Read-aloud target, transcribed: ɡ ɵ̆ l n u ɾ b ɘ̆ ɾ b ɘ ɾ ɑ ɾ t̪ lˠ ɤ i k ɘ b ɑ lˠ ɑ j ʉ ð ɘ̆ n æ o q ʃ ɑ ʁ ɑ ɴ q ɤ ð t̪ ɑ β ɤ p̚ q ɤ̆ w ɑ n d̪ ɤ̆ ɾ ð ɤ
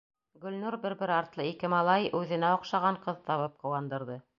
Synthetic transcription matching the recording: ɡ ɵ̆ l n u ɾ b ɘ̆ ɾ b ɘ ɾ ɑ ɾ t̪ lˠ ɤ i k ɘ m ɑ lˠ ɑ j ʉ ð ɘ̆ n æ o q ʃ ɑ ʁ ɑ ɴ q ɤ ð t̪ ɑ β ɤ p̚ q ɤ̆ w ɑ n d̪ ɤ̆ ɾ ð ɤ

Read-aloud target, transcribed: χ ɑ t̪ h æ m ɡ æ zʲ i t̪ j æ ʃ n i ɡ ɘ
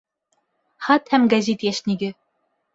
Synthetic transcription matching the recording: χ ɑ t̪ h æ m ɡ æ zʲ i t̪ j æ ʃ n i ɡ ɘ

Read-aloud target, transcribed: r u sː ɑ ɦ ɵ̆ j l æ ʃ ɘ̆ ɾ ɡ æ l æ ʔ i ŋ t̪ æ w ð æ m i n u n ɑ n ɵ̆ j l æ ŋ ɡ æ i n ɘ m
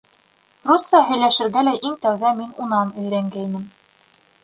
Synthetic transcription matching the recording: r u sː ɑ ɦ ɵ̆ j l æ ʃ ɘ̆ ɾ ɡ æ l æ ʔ i ŋ t̪ æ w ð æ m i n u n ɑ n ɵ̆ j ɾ æ ŋ ɡ æ i n ɘ m

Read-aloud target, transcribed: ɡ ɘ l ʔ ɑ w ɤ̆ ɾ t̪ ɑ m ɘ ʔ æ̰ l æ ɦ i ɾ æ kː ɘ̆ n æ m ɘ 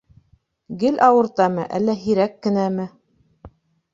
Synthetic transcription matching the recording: ɡ ɘ l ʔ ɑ w ɤ̆ ɾ t̪ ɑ m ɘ ʔ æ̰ lː æ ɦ i ɾ æ kː ɘ̆ n æ m ɘ

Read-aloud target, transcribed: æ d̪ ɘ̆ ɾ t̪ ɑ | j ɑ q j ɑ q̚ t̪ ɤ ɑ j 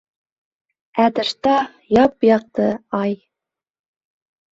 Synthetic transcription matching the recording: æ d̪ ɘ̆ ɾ t̪ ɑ | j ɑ p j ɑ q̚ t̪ ɤ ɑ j

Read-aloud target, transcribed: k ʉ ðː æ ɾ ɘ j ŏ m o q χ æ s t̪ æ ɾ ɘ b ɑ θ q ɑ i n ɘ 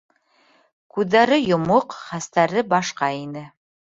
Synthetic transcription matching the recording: k ʉ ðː æ ɾ ɘ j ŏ m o q χ æ s t̪ æ ɾ ɘ b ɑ ʃ q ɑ i n ɘ

